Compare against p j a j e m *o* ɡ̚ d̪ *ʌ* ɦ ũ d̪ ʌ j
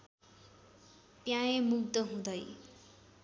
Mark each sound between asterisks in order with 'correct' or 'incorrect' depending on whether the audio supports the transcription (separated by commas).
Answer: incorrect, correct